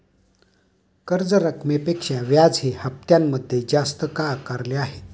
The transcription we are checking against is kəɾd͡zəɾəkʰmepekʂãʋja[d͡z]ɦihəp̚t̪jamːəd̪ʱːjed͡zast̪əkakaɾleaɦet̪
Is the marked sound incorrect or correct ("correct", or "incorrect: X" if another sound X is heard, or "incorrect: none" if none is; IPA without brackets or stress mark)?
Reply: correct